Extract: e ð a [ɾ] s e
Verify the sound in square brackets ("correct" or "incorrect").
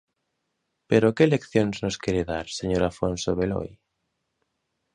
correct